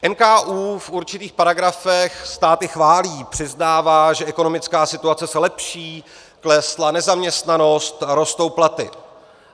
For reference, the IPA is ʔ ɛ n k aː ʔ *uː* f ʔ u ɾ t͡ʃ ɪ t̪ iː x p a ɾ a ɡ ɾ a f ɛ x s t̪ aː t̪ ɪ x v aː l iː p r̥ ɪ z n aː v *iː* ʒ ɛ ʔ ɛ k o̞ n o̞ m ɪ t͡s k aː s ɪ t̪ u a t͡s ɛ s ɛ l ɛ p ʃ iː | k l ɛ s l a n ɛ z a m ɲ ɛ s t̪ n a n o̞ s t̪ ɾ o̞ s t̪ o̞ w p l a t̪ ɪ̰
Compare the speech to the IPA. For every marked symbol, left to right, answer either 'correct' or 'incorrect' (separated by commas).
correct, incorrect